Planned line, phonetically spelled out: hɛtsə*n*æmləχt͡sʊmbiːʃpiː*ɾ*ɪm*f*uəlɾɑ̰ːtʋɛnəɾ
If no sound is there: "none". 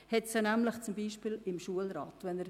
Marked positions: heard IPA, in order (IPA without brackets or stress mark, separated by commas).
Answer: n, l, ʃ